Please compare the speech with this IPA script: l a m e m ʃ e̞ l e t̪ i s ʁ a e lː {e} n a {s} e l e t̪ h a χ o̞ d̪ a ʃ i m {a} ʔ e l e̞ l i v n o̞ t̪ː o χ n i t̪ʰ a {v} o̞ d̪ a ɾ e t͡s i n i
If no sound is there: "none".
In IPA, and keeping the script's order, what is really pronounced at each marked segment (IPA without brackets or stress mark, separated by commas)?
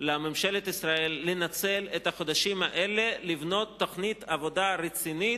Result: e, t͡s, a, v